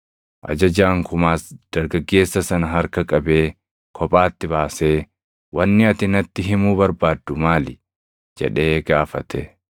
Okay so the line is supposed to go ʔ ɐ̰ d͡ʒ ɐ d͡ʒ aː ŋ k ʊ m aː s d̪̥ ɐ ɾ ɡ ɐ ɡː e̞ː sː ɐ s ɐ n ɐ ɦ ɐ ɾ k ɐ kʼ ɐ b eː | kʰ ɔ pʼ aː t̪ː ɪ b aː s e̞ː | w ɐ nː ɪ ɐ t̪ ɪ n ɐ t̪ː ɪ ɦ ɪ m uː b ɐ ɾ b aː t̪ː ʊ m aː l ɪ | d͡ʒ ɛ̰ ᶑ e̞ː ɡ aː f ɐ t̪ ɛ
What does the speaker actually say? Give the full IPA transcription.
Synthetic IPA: ʔ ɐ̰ d͡ʒ ɐ d͡ʒ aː ŋ k ʊ m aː s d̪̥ ɐ ɾ ɡ ɐ ɡː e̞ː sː ɐ s ɐ n ɐ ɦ ɐ ɾ k ɐ kʼ ɐ b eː | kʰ ɔ pʼ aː t̪ː ɪ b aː s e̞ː | w ɐ nː ɪ ɐ t̪ ɪ n ɐ t̪ː ɪ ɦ ɪ m uː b ɐ ɾ b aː d̪ː ʊ m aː l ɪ | d͡ʒ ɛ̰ ᶑ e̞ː ɡ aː f ɐ t̪ ɛ

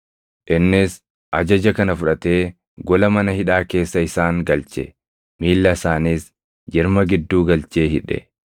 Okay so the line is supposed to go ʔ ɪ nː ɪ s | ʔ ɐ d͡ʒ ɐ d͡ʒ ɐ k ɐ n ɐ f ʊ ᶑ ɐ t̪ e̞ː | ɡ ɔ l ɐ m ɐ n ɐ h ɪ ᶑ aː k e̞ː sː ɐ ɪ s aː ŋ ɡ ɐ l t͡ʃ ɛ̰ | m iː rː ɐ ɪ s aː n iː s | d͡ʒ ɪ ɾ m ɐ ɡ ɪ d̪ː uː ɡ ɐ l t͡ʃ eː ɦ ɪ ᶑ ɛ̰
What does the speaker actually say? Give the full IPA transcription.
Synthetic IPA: ʔ ɪ nː ɪ s | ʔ ɐ d͡ʒ ɐ d͡ʒ ɐ k ɐ n ɐ f ʊ ᶑ ɐ t̪ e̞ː | ɡ ɔ l ɐ m ɐ n ɐ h ɪ ᶑ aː k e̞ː sː ɐ ɪ s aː ŋ ɡ ɐ l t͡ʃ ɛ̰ | m iː lː ɐ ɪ s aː n iː s | d͡ʒ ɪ ɾ m ɐ ɡ ɪ d̪ː uː ɡ ɐ l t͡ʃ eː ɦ ɪ ᶑ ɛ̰

